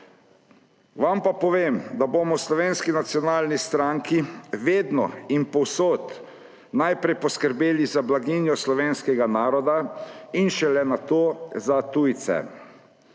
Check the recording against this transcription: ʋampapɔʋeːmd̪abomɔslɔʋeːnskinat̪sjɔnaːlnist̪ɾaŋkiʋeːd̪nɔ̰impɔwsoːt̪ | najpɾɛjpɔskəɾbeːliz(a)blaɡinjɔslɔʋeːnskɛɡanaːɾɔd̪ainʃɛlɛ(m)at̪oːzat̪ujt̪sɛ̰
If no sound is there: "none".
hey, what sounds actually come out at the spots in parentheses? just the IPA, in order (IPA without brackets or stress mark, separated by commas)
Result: a, n